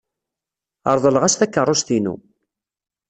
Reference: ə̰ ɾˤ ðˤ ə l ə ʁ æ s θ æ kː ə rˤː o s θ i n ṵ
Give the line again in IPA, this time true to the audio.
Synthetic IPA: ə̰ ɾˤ ðˤ ə l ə ʁ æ s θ æ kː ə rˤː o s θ i n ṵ